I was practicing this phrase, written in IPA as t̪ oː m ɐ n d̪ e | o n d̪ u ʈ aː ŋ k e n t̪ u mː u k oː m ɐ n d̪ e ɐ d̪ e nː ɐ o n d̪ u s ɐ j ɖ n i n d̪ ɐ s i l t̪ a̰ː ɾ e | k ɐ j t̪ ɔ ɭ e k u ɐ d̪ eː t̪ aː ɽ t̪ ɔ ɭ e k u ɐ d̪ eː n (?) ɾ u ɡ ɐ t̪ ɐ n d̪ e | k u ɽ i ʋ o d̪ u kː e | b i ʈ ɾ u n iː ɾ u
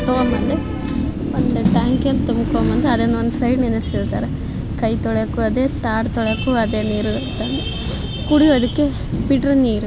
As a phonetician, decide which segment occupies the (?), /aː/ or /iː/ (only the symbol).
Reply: iː